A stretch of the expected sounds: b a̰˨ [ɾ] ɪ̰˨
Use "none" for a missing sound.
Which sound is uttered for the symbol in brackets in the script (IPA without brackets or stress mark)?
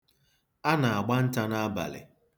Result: l